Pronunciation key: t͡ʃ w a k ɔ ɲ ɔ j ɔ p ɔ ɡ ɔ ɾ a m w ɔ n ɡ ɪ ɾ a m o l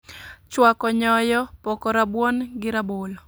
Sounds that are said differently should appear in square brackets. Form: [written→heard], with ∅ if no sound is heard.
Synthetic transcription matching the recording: t͡ʃ w a k ɔ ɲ ɔ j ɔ p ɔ [ɡ→k] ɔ ɾ a [m→b] w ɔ n ɡ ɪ ɾ a [m→b] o l